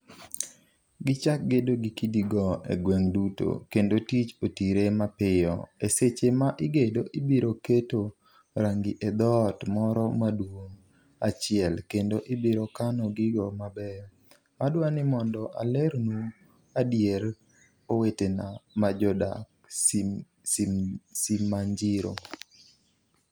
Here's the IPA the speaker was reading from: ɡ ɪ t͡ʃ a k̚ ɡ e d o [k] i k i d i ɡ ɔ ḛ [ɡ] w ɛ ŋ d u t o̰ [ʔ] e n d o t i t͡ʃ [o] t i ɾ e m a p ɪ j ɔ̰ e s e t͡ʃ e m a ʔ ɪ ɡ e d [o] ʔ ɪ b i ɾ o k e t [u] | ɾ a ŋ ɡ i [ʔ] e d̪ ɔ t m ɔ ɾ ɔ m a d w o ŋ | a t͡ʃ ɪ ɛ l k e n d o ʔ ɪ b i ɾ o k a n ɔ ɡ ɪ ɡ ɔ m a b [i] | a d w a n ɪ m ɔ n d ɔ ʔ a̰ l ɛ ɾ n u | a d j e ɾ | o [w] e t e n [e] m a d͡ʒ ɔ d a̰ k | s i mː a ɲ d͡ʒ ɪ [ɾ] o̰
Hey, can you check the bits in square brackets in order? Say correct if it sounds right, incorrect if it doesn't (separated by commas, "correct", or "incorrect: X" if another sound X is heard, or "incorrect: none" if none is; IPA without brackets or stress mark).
incorrect: ɡ, correct, incorrect: k, correct, correct, incorrect: o, correct, incorrect: ɛ, correct, incorrect: a, correct